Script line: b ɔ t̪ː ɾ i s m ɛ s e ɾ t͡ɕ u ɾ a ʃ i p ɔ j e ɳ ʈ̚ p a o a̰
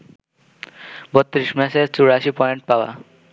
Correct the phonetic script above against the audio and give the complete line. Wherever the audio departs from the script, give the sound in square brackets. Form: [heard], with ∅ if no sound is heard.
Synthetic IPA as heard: b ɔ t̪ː ɾ i [ʃ] m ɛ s e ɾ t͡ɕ u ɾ a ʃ i p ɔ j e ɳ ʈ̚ p a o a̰